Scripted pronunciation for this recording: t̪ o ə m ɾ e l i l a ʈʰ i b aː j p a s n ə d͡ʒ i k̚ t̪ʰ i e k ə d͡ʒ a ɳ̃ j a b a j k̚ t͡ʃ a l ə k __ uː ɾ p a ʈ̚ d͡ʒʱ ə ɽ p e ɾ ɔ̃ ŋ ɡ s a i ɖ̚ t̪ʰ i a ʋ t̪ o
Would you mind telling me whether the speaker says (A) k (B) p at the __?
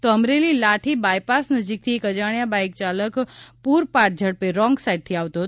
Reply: B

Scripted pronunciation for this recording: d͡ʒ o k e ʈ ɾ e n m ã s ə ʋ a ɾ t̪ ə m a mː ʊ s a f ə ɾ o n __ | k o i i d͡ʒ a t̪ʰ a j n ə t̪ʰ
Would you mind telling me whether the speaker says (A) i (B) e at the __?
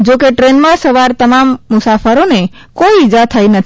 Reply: B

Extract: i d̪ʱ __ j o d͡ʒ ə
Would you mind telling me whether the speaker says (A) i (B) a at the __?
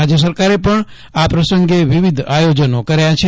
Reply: B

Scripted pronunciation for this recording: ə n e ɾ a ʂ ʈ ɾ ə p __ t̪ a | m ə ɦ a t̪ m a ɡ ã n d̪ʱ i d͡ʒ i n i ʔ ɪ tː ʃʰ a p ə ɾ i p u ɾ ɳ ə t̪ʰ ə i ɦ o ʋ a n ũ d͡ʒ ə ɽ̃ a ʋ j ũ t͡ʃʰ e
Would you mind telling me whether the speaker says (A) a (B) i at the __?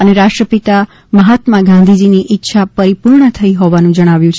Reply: B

